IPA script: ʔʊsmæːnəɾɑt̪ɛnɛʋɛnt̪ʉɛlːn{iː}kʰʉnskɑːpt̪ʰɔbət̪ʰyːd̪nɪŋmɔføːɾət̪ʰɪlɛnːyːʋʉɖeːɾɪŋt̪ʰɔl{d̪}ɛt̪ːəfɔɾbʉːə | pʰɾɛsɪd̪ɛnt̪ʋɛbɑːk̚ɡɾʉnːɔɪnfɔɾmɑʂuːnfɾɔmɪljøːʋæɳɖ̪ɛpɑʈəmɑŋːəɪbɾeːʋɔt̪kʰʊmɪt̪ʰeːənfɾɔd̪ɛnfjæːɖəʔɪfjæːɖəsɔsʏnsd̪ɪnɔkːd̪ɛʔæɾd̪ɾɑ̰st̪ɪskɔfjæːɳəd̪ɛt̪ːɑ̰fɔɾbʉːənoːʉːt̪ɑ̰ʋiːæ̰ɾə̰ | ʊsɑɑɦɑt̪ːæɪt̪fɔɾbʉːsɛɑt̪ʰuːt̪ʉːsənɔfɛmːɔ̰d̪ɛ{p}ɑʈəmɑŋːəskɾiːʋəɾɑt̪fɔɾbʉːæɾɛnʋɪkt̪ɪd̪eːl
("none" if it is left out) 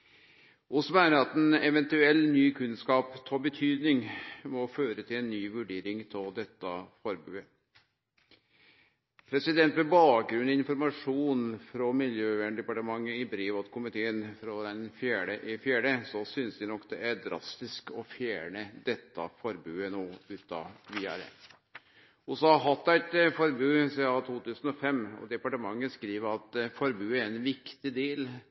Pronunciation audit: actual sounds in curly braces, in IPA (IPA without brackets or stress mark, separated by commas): yː, d̪, p